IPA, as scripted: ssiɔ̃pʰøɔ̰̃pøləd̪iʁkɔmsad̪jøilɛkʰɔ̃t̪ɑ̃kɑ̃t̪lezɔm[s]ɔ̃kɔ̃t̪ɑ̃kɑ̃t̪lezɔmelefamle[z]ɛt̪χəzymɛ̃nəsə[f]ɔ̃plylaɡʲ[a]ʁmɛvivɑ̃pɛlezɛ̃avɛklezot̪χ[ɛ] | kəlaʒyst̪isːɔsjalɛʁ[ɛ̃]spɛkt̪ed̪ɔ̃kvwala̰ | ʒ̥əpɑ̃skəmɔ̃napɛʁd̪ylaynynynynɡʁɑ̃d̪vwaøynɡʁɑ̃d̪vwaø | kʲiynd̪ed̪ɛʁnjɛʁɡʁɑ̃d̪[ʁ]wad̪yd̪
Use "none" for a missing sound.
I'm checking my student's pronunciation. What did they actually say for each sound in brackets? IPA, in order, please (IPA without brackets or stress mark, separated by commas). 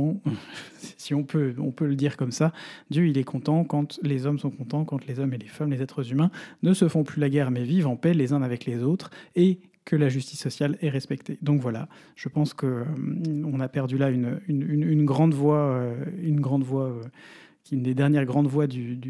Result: s, z, f, ɛ, e, ɛ, v